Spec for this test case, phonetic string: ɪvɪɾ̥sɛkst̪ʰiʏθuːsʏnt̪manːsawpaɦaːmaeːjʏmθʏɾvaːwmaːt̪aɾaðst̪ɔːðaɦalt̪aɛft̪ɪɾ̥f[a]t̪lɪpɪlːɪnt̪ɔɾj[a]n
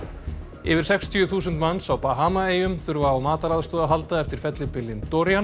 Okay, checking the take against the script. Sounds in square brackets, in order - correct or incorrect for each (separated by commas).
incorrect, correct